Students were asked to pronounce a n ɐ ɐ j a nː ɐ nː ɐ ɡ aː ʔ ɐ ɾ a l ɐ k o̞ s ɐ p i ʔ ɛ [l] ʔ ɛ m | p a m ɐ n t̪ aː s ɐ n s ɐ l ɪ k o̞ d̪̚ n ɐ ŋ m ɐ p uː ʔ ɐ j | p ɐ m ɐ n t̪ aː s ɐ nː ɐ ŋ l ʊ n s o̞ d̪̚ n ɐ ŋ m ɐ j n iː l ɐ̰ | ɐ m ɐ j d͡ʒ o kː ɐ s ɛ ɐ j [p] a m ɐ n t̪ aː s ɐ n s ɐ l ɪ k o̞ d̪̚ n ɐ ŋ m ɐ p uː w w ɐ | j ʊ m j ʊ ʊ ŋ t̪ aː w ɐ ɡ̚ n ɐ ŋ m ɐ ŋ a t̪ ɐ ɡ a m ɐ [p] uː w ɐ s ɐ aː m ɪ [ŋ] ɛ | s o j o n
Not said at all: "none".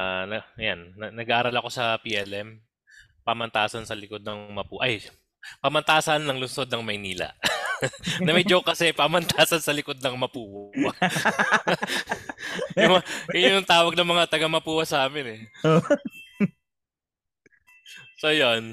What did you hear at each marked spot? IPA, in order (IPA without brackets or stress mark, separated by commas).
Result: l, p, p, n